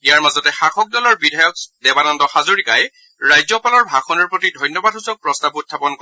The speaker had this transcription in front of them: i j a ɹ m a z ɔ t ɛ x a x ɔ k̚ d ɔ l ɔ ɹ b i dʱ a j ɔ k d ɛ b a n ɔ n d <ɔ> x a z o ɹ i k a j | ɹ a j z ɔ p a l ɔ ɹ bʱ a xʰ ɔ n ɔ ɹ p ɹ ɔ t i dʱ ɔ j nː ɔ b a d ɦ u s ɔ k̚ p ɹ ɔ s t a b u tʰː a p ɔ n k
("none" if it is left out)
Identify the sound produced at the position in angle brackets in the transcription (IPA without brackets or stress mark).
ɔ